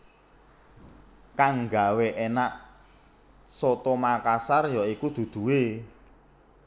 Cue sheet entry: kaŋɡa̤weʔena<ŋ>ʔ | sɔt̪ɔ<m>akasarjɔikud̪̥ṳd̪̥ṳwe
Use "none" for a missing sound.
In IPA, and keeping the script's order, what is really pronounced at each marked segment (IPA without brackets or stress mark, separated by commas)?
none, m